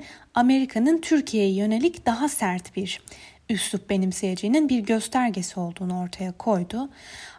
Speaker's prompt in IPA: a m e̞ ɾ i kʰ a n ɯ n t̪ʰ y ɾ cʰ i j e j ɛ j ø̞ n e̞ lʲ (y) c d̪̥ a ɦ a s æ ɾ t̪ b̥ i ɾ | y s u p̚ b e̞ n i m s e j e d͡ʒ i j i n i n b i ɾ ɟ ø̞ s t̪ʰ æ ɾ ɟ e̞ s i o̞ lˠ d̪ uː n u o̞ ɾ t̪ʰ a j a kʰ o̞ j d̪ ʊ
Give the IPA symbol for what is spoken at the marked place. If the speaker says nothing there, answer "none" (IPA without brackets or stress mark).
i